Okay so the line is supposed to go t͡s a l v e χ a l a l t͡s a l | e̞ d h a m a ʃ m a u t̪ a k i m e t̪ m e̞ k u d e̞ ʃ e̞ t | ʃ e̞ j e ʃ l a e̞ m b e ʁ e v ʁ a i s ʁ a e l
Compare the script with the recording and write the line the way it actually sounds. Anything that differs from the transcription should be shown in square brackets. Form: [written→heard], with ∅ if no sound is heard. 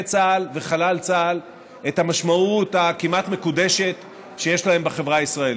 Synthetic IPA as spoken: t͡s a l v e χ a l a l t͡s a l | e̞ [d→t] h a m a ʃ m a u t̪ a k i m [e→a] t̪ m e̞ k u d e̞ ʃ e̞ t | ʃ e̞ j e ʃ l a e̞ m b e [ʁ→χ] e v ʁ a i s ʁ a e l